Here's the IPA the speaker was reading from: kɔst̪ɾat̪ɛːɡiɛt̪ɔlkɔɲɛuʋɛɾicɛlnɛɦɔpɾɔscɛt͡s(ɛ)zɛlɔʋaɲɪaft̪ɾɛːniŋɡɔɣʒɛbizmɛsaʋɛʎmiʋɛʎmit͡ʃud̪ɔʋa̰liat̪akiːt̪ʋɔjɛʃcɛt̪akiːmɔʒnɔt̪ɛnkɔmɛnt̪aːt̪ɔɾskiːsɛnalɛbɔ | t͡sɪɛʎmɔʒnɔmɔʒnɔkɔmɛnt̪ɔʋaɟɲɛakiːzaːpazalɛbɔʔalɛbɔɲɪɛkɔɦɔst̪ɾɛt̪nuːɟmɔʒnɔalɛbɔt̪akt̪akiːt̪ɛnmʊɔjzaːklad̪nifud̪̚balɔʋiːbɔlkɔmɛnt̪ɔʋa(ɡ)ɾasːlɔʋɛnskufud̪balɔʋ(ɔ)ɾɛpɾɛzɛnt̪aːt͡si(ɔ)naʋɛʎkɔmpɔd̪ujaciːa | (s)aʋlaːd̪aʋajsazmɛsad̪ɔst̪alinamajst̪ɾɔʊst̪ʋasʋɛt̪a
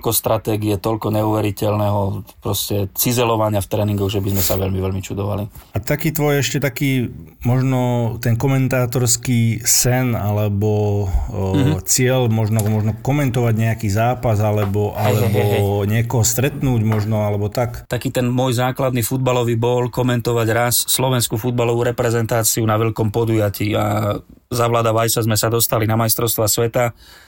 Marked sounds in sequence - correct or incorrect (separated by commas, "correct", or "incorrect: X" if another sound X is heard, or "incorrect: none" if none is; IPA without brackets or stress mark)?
incorrect: i, incorrect: ɟ, incorrect: u, incorrect: u, incorrect: z